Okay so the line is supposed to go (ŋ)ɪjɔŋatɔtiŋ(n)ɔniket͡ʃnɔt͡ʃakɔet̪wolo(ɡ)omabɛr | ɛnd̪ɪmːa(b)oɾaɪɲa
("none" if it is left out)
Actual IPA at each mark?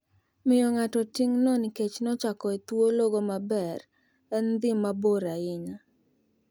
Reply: m, n, ɡ, b

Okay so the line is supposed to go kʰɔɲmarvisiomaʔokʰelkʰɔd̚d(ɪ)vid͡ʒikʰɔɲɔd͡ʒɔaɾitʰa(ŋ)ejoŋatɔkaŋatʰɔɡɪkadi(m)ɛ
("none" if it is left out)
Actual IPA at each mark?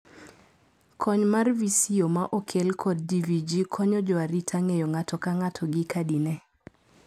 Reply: i, ŋ, n

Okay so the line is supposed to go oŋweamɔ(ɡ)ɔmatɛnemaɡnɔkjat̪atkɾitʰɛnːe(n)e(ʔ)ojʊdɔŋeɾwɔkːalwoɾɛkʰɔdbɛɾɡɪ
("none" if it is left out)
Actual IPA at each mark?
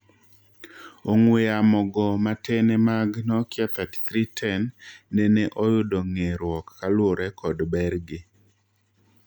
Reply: ɡ, n, ʔ

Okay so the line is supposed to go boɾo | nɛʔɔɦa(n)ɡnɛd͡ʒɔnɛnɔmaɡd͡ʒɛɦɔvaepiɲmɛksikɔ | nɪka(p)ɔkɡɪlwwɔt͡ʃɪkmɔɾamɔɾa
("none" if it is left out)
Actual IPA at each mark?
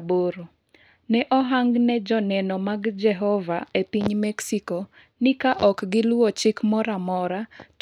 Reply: ŋ, ʔ

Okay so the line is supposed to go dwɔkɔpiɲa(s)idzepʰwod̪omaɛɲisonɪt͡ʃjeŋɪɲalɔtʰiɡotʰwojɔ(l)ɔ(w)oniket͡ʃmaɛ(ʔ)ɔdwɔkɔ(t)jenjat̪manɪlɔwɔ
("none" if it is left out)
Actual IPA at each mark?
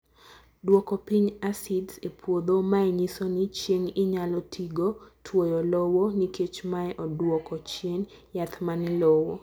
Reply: s, l, w, ʔ, t͡ʃ

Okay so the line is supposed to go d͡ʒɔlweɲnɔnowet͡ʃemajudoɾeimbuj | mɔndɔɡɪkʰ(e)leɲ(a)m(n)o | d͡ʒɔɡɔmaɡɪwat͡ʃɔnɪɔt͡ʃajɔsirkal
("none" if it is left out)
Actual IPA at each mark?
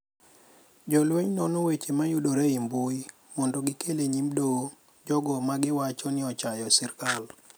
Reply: e, i, d

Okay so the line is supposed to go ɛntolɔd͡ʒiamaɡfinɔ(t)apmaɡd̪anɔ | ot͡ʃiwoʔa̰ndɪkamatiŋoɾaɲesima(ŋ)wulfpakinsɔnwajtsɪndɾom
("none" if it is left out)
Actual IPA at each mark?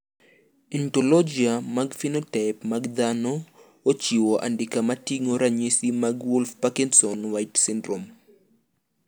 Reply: t, ɡ

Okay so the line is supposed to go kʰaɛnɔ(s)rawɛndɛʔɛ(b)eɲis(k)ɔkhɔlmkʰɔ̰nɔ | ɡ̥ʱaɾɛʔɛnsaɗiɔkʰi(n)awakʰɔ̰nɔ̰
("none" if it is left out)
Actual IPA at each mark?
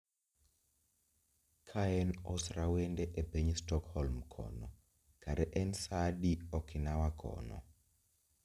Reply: s, b, t, n

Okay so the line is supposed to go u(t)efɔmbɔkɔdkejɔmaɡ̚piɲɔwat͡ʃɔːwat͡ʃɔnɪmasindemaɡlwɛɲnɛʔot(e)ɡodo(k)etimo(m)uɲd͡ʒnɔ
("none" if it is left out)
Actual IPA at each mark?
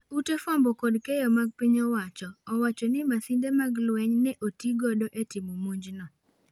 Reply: t, i, ʔ, m

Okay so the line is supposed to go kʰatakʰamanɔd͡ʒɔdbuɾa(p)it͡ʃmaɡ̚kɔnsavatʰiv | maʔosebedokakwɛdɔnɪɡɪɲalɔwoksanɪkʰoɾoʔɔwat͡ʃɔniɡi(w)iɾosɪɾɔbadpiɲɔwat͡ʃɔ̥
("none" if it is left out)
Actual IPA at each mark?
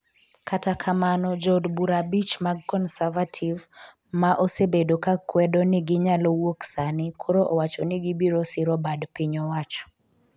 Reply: b, b

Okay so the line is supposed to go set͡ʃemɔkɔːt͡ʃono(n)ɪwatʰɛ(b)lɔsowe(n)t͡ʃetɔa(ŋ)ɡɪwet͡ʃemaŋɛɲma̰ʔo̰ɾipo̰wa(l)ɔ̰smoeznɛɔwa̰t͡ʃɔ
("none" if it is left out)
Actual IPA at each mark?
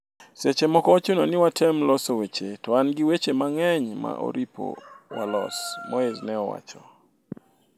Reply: n, m, none, n, l

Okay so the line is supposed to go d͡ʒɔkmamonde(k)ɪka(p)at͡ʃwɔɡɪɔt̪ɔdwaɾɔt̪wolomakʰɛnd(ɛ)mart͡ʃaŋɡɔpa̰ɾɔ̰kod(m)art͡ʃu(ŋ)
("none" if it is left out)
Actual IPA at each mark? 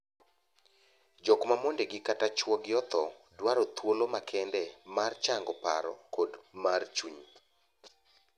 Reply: ɡ, t, ɛ, m, ɲ

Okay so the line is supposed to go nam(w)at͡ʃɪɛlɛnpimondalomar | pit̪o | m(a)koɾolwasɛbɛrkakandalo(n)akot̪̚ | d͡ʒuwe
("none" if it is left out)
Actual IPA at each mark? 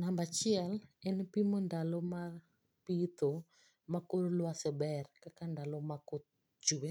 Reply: b, a, m

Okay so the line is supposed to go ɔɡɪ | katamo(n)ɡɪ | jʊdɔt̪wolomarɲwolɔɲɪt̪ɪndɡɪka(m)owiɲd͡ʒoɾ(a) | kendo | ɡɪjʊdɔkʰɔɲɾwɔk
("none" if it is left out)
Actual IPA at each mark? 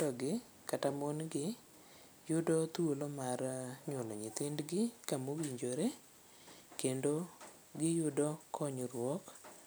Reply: n, m, e

